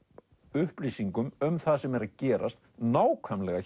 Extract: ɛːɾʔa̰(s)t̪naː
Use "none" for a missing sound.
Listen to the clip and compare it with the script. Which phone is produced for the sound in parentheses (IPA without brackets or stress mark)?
s